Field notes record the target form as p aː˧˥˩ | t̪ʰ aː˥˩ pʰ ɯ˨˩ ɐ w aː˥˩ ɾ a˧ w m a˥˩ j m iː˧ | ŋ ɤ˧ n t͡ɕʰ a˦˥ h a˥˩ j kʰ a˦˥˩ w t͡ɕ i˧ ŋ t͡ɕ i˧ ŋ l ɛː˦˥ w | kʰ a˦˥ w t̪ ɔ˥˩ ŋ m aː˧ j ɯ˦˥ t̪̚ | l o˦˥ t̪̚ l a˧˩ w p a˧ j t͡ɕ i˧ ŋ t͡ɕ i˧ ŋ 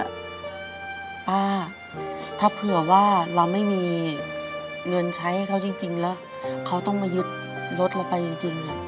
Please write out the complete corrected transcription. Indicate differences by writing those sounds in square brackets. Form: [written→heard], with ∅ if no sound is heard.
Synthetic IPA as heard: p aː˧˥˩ | t̪ʰ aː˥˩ pʰ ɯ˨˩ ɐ w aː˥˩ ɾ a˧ w m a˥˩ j m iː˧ | ŋ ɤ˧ n t͡ɕʰ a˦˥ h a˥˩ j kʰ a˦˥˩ w t͡ɕ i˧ ŋ t͡ɕ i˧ ŋ l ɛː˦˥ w | kʰ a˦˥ w t̪ ɔ˥˩ ŋ m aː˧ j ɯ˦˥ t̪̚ | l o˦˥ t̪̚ l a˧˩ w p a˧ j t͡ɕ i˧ ŋ t͡ɕ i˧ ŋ